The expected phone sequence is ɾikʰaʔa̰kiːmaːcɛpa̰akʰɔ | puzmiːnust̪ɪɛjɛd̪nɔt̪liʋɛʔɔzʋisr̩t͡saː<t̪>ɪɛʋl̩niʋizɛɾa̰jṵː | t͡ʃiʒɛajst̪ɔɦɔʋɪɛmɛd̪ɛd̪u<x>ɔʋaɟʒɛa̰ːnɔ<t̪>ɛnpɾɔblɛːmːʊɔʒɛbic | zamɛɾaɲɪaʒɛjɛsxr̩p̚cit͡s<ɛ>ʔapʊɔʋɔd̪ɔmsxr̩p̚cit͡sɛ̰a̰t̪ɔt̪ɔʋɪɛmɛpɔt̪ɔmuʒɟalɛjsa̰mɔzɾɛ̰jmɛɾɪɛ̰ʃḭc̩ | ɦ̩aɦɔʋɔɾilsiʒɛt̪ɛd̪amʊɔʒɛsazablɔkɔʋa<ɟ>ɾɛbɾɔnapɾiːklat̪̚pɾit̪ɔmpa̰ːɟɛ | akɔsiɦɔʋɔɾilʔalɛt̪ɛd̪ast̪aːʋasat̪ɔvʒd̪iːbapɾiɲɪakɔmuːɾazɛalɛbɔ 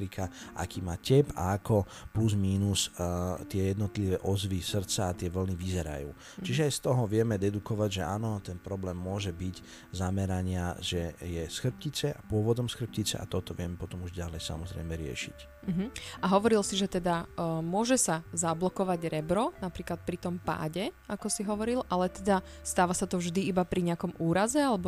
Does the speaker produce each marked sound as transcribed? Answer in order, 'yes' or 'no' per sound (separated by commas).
yes, no, yes, yes, yes